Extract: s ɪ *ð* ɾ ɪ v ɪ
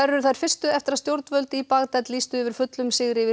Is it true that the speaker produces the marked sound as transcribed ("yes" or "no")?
no